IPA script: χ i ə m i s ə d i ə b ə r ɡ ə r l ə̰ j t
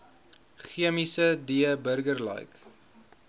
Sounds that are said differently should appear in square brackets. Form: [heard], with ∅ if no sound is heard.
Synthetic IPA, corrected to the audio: χ i ə m i s ə d i ə b ə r ɡ ə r l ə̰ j [k]